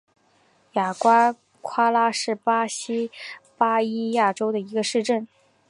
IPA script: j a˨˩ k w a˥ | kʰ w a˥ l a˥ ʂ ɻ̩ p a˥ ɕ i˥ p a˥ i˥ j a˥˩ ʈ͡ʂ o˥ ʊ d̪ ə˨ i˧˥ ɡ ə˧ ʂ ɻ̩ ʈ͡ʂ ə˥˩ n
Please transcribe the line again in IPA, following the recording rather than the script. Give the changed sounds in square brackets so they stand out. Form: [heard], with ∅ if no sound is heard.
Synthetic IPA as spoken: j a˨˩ k w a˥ | kʰ w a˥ l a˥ ʂ ɻ̩ p a˥ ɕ i˥ p a˥ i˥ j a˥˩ ʈ͡ʂ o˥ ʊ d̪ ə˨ i˧˥ ɡ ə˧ ʂ ɻ̩ ʈ͡ʂ ə˥˩ n